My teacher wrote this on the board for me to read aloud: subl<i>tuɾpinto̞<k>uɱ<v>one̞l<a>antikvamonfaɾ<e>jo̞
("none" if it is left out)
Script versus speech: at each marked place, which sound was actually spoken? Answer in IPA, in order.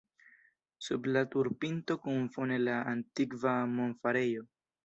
a, k, f, a, e

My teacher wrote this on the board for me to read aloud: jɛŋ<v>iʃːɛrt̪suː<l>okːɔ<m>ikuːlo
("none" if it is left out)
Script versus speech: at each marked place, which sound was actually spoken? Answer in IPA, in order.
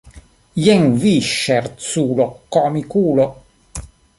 v, l, m

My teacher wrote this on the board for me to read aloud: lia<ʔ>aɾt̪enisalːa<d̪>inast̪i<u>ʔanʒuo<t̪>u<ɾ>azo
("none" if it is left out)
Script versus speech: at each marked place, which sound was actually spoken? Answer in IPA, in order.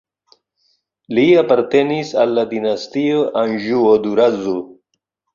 p, d̪, o, d̪, ɾ

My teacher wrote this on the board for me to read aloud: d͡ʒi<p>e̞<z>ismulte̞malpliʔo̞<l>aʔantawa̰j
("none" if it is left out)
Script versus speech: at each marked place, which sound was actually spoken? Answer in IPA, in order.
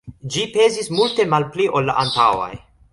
p, z, lː

